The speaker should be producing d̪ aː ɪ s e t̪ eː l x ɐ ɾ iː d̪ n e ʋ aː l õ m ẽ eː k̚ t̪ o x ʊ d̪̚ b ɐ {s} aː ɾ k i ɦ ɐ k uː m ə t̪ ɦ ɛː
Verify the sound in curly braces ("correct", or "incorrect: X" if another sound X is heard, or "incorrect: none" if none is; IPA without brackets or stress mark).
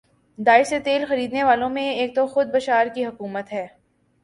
incorrect: ʃ